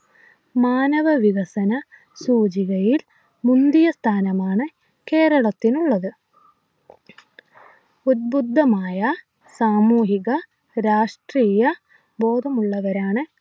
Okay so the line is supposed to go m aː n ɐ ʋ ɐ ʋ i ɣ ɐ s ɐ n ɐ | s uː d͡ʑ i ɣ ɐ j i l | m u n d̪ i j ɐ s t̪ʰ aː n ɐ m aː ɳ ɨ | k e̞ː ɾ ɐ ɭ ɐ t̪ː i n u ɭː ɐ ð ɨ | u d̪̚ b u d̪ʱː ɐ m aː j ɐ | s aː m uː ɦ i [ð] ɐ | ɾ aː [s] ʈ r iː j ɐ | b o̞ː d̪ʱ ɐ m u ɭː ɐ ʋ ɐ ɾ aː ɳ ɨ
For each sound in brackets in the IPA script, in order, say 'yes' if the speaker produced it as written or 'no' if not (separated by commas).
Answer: no, no